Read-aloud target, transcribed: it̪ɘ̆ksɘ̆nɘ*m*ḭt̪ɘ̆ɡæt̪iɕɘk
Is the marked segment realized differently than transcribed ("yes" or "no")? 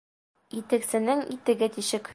yes